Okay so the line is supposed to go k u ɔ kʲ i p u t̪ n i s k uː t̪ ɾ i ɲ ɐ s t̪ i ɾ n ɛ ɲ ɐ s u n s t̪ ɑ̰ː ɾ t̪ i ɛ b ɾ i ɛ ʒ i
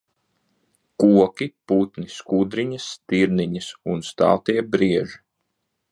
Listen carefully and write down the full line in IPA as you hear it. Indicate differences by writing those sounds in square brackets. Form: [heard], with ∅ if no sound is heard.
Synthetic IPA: k u ɔ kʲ i p u t̪ n i s k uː [d̪] ɾ i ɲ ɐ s t̪ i ɾ n [i] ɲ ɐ s u n s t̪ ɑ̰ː [∅] t̪ i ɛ b ɾ i ɛ ʒ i